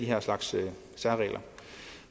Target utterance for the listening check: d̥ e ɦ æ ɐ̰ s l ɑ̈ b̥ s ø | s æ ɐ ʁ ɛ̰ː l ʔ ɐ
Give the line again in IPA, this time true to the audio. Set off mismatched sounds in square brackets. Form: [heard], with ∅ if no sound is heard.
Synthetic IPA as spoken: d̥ [i] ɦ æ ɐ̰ s l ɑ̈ [ɡ̥] s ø | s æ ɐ ʁ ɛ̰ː l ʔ ɐ